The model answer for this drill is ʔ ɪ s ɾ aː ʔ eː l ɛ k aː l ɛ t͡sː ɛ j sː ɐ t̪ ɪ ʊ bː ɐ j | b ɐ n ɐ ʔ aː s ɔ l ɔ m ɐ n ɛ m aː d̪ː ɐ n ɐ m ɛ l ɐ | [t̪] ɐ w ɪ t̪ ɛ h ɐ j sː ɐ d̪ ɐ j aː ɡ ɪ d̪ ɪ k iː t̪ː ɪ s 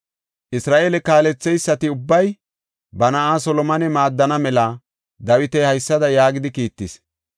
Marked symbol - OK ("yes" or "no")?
no